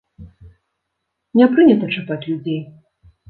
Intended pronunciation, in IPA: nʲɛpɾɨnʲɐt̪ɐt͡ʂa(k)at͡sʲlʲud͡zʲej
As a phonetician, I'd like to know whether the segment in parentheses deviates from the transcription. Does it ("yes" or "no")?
yes